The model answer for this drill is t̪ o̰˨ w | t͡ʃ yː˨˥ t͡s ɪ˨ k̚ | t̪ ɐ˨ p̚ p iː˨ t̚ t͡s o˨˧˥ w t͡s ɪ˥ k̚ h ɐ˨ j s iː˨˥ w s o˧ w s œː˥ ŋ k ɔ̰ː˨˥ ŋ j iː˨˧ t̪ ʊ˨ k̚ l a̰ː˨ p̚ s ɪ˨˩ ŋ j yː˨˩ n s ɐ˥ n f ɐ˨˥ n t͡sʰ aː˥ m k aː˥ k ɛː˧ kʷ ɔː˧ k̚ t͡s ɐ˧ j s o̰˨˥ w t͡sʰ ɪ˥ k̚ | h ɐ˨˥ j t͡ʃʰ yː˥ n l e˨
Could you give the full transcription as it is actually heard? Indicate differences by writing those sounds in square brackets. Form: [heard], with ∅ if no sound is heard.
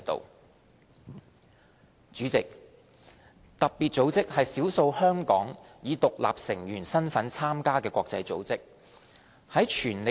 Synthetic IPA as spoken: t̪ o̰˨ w | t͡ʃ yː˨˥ t͡s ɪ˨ k̚ | t̪ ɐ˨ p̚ p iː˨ t̚ t͡s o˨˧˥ w t͡s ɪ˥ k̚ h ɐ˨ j s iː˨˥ w s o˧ w [h] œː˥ ŋ k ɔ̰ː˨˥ ŋ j iː˨˧ t̪ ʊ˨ k̚ l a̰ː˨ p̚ s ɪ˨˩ ŋ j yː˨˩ n s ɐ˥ n f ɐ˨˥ n t͡sʰ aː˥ m k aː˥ k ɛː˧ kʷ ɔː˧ k̚ t͡s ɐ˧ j [t͡s] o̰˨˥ w [t͡s] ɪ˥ k̚ | h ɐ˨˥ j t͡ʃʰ [yː˨˩] n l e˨

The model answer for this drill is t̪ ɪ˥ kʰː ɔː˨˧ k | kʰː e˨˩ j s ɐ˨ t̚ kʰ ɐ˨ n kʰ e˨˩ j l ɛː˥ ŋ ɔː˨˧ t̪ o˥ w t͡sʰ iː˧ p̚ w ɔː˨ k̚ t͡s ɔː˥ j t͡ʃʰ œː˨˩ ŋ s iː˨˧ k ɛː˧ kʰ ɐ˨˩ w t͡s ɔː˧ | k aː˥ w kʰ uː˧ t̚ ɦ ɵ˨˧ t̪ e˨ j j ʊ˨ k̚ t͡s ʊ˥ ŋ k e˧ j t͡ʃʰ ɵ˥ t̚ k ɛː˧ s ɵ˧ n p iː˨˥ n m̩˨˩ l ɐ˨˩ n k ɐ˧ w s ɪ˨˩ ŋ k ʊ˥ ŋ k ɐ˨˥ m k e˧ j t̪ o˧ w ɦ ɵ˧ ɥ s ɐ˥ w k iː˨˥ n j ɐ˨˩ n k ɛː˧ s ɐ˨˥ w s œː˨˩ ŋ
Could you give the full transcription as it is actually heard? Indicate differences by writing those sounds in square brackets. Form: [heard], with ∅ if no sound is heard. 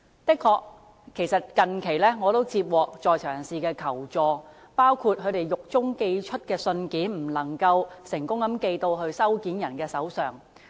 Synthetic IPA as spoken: t̪ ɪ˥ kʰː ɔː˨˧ k | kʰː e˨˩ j s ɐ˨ t̚ [k] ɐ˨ n kʰ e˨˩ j l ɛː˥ ŋ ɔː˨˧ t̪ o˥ w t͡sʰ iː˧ p̚ w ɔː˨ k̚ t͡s [ɔː˨] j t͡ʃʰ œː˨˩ ŋ s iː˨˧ k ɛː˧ kʰ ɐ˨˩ w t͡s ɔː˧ | [p] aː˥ w kʰ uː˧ t̚ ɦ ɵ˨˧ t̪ e˨ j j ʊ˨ k̚ t͡s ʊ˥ ŋ k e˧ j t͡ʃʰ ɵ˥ t̚ k ɛː˧ s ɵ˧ n [k] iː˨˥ n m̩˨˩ l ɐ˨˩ [ŋ] k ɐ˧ w s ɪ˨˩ ŋ k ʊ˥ ŋ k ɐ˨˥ m k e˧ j t̪ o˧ w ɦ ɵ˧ ɥ s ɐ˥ w k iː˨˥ n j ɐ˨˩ n k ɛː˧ s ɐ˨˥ w s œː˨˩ ŋ

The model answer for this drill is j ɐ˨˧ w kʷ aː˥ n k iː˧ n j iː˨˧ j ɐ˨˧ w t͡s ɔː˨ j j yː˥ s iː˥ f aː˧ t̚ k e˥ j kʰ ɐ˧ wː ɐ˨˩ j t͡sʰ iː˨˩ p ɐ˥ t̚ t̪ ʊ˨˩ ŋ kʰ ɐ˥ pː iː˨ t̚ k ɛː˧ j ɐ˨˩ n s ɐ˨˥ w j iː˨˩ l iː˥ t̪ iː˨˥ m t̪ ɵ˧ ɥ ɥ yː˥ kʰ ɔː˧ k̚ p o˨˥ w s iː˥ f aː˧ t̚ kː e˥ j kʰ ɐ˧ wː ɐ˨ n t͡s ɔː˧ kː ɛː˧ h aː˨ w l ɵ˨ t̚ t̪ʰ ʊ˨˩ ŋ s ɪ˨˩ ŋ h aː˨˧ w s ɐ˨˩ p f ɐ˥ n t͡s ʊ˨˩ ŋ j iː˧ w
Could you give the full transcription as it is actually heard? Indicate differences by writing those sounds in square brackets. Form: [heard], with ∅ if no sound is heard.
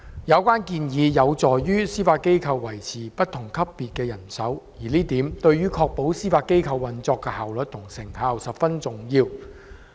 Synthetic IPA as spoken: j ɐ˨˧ w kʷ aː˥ n k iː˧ n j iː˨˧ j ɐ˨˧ w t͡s ɔː˨ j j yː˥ s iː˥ f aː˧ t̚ k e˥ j kʰ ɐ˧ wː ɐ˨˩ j t͡sʰ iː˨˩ p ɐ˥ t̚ [t̪ʰ] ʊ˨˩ ŋ kʰ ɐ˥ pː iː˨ t̚ k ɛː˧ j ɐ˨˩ n s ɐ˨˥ w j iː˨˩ l iː˥ t̪ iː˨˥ m t̪ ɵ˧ ɥ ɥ yː˥ kʰ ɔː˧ k̚ p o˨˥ w s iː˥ f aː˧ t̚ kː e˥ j kʰ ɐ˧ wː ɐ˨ n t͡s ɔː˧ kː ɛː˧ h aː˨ w l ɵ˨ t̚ t̪ʰ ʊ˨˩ ŋ s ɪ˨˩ ŋ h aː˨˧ w s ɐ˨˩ p f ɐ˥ n t͡s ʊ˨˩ ŋ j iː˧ w

